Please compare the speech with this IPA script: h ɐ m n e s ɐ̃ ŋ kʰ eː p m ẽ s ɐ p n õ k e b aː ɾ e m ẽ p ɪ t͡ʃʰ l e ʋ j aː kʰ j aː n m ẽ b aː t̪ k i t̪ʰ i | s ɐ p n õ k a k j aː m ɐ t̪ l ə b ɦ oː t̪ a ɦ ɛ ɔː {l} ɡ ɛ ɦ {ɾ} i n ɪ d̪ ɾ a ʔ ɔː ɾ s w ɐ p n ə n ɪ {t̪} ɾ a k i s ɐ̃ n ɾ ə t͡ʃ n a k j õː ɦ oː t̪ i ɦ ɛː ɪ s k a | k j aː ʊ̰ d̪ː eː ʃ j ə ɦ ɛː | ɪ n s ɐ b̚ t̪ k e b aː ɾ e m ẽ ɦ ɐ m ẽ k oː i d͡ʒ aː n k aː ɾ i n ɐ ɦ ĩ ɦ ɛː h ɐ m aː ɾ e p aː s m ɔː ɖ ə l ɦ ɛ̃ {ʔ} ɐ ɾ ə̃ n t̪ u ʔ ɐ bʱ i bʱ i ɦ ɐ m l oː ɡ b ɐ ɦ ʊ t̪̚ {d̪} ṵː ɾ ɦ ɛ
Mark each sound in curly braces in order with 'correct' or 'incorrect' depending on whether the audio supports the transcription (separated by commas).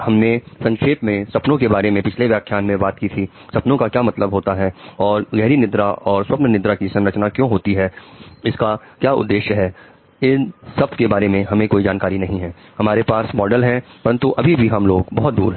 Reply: incorrect, correct, incorrect, incorrect, correct